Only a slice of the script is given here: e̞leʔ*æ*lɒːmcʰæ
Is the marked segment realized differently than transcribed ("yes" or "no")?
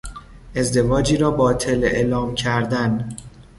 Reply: yes